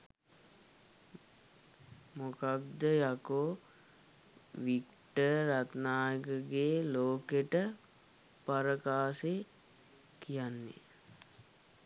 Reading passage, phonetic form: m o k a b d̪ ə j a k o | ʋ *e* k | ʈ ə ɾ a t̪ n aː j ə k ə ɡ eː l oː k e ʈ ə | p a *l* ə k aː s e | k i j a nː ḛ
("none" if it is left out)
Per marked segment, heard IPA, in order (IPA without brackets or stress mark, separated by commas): i, ɾ